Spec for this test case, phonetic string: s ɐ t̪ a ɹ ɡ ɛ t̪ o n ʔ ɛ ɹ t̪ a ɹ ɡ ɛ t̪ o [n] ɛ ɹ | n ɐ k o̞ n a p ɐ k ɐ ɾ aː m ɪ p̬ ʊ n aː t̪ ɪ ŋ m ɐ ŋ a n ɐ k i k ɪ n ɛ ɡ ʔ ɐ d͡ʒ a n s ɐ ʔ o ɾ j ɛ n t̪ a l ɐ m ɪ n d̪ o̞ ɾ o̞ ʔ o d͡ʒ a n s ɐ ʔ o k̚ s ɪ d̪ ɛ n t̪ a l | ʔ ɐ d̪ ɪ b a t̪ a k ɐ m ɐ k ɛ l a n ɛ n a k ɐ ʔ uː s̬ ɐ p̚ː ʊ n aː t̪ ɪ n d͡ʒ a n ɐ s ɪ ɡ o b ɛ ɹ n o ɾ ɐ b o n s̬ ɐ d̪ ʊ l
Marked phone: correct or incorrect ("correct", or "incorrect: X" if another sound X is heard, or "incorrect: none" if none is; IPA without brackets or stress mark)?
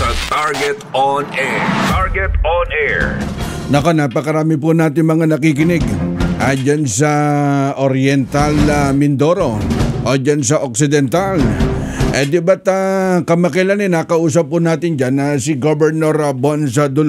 correct